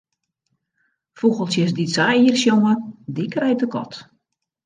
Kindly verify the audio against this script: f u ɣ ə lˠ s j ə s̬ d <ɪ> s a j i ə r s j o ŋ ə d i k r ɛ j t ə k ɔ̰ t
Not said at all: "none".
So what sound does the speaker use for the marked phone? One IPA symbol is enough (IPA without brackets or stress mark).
i